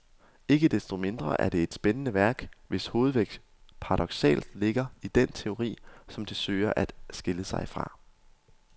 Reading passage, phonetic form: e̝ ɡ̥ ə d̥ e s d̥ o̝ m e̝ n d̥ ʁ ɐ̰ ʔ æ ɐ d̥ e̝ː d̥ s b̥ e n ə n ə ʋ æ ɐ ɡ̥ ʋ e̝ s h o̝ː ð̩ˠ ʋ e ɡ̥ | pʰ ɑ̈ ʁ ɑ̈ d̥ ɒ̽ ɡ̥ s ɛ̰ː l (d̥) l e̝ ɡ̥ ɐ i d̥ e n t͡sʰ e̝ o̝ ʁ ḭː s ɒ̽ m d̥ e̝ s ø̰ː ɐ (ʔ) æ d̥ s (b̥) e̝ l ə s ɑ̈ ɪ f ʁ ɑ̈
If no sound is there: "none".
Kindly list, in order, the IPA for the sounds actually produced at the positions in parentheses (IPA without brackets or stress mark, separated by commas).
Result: d̥, ʔ, ɡ̥